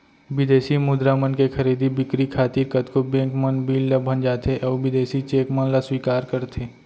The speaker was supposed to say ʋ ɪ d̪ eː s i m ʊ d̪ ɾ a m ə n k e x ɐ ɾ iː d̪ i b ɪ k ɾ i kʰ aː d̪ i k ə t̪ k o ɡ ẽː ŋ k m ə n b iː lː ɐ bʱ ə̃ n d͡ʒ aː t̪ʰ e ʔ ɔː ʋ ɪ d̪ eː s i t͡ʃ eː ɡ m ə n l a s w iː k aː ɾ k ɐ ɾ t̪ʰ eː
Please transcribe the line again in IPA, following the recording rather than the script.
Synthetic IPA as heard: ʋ ɪ d̪ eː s i m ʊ d̪ ɾ a m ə n k e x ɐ ɾ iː d̪ i b ɪ k ɾ i kʰ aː t̪ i k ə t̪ k o b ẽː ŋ k m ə n b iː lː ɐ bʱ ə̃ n d͡ʒ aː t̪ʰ e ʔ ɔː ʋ ɪ d̪ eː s i t͡ʃ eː k m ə n l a s w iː k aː ɾ k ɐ ɾ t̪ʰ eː